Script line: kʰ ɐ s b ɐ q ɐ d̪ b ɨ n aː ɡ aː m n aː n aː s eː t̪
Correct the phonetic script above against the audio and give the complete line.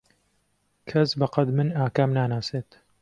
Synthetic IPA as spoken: kʰ ɐ s b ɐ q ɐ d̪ m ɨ n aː k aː m n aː n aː s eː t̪